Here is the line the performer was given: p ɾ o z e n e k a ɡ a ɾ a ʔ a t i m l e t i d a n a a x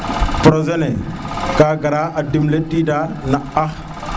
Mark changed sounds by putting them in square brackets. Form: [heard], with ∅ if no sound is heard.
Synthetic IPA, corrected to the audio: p ɾ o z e n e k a ɡ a ɾ a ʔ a [d] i m l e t i d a n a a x